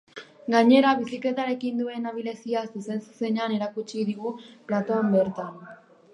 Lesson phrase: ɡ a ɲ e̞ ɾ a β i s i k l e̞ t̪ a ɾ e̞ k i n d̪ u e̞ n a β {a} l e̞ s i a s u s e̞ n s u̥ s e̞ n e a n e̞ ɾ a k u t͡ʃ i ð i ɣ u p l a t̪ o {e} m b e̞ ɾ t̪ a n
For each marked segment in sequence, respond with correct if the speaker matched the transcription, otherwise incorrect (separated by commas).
incorrect, incorrect